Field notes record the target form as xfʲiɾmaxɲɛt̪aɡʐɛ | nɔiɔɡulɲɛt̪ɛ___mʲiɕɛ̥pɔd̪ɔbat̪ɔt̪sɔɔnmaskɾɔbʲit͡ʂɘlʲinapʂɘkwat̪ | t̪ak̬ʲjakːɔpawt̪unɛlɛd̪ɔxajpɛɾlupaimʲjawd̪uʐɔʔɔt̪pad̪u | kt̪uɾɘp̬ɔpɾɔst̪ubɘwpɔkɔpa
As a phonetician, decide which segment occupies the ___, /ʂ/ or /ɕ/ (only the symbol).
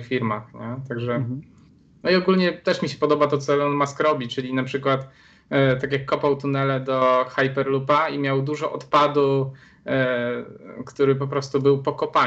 ʂ